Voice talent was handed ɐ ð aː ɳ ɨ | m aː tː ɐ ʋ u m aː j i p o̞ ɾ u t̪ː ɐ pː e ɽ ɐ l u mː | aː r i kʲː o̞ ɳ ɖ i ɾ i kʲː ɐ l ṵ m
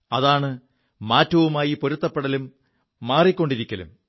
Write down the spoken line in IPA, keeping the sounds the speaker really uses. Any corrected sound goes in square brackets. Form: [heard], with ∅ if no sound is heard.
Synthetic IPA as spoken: ɐ ð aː ɳ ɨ | m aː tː ɐ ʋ u m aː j i p o̞ ɾ u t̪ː ɐ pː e ɽ ɐ l u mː | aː r i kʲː o̞ ɳ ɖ i ɾ i kʲː ɐ l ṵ m